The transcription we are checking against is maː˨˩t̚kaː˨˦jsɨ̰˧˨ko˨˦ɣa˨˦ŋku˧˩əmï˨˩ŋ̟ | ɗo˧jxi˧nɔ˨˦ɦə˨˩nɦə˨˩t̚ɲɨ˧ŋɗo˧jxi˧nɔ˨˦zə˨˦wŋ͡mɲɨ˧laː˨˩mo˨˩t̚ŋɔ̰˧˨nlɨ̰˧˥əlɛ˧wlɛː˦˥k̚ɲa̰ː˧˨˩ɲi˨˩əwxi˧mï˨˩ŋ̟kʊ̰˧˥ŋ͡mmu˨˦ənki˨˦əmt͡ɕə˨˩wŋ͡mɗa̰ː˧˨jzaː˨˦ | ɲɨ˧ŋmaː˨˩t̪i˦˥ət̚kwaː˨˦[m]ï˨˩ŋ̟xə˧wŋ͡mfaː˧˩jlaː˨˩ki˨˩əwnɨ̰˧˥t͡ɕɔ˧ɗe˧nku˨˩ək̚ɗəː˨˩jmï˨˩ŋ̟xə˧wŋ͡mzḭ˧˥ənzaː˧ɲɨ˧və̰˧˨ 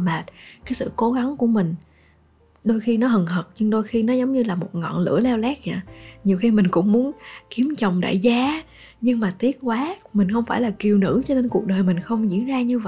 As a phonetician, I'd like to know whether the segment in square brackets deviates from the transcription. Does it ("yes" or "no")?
no